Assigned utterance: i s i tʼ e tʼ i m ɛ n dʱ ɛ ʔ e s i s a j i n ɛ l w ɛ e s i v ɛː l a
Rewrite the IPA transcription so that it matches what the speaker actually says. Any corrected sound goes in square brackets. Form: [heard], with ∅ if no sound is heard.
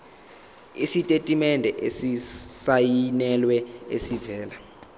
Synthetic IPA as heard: i s i tʼ e tʼ i m ɛ n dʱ ɛ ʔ e s i s a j i n ɛ l w ɛ e s i v ɛː l a